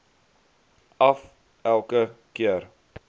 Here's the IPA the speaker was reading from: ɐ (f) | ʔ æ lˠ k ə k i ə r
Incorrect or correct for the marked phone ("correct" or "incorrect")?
correct